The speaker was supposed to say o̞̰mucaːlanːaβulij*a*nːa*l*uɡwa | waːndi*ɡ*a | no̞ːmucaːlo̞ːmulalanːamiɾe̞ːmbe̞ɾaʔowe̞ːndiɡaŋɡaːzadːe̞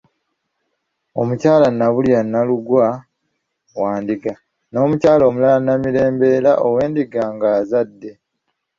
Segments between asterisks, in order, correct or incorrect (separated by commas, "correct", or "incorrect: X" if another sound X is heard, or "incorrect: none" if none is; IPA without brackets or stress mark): correct, correct, correct